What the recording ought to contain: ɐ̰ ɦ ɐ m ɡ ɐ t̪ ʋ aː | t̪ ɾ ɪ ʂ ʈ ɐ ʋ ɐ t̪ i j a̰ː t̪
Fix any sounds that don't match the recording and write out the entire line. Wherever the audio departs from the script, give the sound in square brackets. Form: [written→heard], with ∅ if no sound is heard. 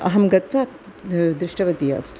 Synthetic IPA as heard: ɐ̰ ɦ ɐ m ɡ ɐ t̪ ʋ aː | [t̪→d̪] ɾ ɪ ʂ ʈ ɐ ʋ ɐ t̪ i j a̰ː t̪